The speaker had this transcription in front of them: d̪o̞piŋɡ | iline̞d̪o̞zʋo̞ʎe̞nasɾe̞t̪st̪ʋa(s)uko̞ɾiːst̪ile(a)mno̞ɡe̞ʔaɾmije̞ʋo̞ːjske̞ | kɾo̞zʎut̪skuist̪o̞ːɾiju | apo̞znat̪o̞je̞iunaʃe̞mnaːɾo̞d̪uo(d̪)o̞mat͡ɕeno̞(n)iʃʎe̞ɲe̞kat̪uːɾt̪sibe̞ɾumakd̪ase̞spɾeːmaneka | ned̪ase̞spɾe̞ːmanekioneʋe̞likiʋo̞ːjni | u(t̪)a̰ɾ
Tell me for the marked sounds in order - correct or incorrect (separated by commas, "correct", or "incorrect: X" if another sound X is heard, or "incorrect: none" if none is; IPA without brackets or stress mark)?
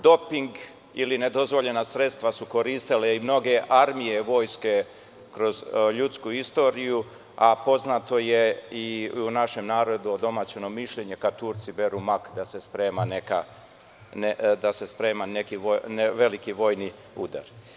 correct, incorrect: i, correct, incorrect: m, incorrect: d̪